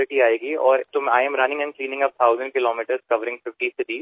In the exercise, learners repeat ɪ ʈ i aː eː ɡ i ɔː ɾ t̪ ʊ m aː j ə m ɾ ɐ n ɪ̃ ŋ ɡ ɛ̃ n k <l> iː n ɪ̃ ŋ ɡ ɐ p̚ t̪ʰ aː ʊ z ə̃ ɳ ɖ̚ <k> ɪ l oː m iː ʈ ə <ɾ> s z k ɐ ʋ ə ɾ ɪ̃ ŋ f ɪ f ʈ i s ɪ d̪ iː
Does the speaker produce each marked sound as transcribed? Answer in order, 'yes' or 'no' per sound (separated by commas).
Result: yes, yes, yes